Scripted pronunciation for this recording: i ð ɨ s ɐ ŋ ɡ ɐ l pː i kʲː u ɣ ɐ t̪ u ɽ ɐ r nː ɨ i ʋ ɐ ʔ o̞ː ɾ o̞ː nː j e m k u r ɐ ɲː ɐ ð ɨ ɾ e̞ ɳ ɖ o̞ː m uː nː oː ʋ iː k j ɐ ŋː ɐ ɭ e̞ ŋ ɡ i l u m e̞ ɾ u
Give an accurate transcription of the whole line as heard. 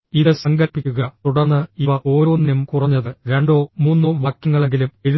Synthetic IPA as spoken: i ð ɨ s ɐ ŋ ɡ ɐ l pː i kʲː u ɣ ɐ t̪ u ɽ ɐ r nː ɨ i ʋ ɐ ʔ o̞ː ɾ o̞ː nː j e m k u r ɐ ɲː ɐ ð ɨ ɾ e̞ ɳ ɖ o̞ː m uː nː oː ʋ aː k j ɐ ŋː ɐ ɭ e̞ ŋ ɡ i l u m e̞ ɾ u